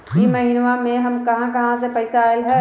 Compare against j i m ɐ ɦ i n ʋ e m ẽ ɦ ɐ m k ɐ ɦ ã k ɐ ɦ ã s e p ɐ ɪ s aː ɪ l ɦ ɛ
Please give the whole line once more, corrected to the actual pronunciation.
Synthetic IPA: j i m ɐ ɦ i n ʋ a m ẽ ɦ ɐ m k ɐ ɦ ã k ɐ ɦ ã s e p ɐ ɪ s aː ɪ l ɦ ɛ